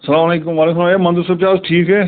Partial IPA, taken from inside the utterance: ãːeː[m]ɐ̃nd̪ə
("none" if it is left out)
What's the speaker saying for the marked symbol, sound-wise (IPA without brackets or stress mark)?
m